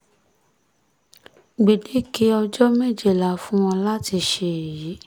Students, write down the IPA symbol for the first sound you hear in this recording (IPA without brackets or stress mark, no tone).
ɡ͡b